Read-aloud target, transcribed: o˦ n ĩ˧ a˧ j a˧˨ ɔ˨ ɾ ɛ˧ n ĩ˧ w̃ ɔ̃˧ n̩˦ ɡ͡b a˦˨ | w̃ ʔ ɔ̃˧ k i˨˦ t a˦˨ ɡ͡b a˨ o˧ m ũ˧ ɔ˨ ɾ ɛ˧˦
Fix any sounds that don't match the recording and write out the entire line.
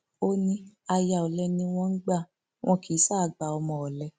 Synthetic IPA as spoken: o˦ n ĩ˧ a˧ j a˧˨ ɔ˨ l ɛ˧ n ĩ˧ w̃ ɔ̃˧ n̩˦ ɡ͡b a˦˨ | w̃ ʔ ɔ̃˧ k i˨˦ s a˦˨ ɡ͡b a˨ ɔ˧ m ɔ̃˧ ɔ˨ l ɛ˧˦

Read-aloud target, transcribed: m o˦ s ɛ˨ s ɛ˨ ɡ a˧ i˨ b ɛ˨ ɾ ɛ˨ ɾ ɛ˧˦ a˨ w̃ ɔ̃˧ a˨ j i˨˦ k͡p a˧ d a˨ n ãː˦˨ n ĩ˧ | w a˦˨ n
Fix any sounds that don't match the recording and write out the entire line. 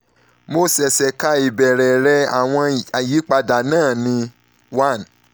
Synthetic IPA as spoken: m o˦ s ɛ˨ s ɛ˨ k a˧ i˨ b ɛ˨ ɾ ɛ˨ ɾ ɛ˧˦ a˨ w̃ ɔ̃˧ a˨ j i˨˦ k͡p a˧ d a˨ n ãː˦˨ n ĩ˧ | w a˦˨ n

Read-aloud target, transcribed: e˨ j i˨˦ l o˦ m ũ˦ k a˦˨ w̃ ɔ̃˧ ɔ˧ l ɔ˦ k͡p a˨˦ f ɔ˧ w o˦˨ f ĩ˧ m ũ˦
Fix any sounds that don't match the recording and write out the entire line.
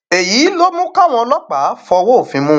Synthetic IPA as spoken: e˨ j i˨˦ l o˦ m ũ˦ k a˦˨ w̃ ɔ̃˧ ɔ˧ l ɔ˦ k͡p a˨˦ f ɔ˧ w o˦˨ f ĩ˧ m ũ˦

